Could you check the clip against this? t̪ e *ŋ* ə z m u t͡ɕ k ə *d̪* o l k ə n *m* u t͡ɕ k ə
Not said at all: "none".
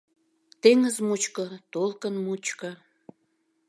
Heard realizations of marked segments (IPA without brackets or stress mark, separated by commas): ŋ, t̪, m